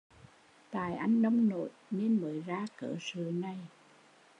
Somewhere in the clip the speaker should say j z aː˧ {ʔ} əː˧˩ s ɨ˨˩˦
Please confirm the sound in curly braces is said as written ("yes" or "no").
no